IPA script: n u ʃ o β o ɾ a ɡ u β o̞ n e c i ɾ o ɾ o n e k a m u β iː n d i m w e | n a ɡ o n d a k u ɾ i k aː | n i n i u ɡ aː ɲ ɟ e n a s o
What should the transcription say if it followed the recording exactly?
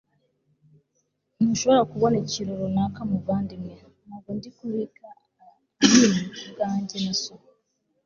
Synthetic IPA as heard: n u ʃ o β o ɾ a k u β o̞ n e c i ɾ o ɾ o n a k a m u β aː n d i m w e | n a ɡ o n d i k u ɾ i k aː | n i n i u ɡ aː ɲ ɟ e n a s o